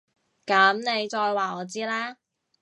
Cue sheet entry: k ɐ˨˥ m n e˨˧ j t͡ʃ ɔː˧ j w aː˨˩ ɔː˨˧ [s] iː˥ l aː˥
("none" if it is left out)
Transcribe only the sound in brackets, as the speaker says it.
t͡s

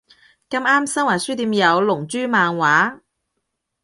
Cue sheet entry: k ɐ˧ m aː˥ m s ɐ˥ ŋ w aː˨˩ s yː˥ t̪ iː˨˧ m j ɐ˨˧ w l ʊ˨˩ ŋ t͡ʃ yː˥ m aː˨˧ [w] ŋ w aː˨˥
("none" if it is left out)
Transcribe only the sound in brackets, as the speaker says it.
none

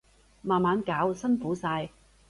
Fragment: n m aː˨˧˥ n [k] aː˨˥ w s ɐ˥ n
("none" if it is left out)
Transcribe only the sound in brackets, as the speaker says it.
k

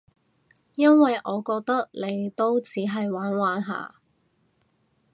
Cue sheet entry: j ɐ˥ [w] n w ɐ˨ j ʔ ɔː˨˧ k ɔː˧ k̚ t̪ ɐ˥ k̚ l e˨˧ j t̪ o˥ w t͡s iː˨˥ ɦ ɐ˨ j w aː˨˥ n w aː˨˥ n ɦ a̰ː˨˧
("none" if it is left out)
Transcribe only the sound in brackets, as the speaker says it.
none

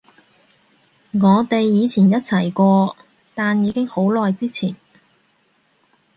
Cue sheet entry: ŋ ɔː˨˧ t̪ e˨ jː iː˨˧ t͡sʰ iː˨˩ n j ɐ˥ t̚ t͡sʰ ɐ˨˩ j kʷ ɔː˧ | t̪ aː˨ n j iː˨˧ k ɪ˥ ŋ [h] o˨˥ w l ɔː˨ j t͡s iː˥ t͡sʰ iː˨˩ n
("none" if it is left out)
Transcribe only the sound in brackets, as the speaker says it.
h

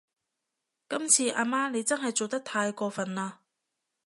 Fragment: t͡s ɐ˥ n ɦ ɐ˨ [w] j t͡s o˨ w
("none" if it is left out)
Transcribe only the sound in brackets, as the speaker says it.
none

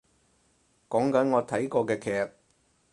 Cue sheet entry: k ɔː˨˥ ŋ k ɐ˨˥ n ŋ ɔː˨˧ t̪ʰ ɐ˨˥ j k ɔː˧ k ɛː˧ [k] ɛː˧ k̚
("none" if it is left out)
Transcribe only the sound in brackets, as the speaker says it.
kʰ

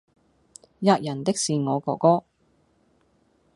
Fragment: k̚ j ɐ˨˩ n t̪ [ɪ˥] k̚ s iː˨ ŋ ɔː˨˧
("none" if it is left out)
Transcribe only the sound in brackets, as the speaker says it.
ɪ˥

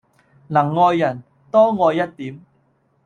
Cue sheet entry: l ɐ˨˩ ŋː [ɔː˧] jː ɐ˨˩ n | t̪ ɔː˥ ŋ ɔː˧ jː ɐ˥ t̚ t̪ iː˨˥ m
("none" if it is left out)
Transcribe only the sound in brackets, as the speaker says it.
ɔː˧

